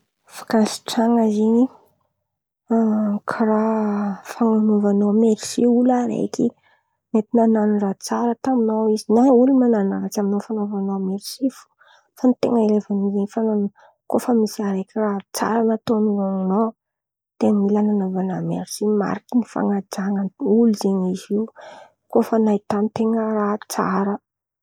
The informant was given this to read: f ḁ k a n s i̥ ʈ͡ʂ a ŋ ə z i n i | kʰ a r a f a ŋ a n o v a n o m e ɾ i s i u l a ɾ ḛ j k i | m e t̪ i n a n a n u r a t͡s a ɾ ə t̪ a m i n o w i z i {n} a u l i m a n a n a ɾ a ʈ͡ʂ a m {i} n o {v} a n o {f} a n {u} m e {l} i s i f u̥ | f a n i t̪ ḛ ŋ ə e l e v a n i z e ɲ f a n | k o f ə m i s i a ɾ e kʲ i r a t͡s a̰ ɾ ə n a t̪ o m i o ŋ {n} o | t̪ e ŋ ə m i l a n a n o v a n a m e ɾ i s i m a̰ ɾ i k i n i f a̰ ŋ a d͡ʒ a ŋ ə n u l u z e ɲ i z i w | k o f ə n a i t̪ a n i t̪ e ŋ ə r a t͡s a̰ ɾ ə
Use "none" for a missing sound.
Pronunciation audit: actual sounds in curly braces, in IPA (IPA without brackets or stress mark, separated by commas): n, i, f, v, o, ɾ, n